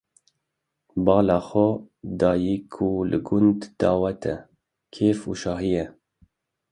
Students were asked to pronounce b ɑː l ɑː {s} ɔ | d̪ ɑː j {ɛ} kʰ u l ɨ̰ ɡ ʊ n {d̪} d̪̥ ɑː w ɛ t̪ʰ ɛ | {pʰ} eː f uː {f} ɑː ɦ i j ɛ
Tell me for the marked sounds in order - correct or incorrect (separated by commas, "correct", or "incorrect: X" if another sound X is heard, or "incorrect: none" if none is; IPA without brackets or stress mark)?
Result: incorrect: x, incorrect: i, correct, incorrect: kʰ, incorrect: ʃ